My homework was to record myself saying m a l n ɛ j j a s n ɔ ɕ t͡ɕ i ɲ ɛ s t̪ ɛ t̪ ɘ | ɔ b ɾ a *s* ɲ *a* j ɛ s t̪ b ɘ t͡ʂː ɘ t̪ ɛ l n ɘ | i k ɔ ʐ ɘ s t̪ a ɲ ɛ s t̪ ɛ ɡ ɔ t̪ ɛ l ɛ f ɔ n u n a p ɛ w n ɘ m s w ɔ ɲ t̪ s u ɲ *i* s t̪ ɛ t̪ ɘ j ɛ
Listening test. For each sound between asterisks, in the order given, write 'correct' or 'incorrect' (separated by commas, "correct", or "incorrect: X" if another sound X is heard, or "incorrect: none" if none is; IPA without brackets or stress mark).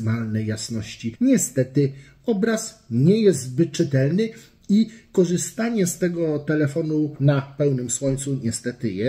correct, incorrect: ɛ, incorrect: ɛ